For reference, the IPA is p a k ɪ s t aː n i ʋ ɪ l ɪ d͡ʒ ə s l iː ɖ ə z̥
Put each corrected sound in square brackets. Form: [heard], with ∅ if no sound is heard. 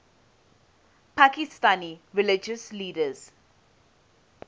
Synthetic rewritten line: p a k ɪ s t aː n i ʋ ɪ l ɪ d͡ʒ ə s l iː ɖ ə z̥